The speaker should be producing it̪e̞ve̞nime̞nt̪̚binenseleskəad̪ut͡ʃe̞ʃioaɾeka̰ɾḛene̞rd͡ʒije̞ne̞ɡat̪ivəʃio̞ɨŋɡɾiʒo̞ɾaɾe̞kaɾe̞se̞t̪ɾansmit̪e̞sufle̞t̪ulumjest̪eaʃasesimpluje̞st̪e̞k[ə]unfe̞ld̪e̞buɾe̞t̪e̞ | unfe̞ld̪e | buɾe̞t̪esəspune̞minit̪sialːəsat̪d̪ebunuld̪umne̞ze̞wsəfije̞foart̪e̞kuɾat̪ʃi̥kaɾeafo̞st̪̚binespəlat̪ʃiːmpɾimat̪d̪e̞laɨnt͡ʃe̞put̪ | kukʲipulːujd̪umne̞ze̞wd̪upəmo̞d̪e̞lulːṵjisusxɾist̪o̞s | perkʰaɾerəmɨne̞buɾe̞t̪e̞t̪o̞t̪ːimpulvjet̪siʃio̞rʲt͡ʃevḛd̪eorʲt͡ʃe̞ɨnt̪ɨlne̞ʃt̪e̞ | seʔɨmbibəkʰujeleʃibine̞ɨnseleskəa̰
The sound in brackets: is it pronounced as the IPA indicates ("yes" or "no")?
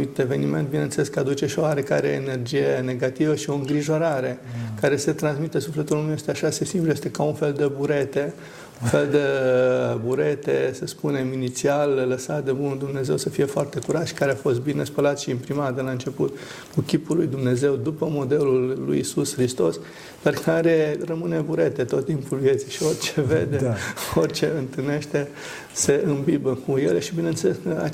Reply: no